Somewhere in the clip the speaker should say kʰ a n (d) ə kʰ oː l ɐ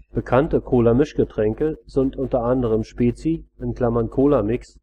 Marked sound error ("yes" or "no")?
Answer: yes